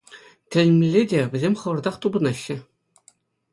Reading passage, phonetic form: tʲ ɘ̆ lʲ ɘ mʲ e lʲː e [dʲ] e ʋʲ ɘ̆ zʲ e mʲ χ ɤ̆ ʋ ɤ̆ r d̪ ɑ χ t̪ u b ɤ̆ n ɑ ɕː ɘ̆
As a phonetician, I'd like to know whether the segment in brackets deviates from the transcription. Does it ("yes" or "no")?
no